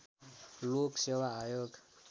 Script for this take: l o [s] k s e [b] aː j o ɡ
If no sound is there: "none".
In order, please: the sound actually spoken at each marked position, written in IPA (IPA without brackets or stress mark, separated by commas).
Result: none, w